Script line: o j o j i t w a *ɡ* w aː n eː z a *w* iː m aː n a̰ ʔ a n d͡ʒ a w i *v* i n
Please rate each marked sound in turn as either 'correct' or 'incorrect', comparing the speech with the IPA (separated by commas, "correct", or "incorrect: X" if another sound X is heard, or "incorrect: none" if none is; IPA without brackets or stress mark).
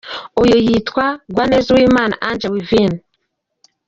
correct, correct, correct